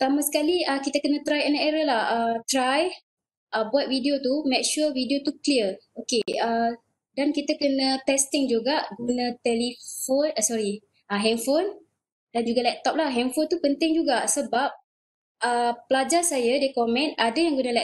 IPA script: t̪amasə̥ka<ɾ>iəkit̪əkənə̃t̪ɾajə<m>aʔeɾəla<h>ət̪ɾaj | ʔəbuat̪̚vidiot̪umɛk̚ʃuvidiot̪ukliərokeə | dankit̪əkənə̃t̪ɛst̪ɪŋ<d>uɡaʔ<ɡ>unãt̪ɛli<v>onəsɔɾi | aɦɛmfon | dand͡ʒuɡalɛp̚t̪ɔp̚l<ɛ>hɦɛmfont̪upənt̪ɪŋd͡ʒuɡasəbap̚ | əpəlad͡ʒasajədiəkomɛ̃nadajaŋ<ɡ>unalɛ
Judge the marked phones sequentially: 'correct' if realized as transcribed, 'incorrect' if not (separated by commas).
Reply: incorrect, incorrect, correct, incorrect, correct, incorrect, incorrect, correct